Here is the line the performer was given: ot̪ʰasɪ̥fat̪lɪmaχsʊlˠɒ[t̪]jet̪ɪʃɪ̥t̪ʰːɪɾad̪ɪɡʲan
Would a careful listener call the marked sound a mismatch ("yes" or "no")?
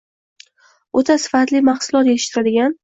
no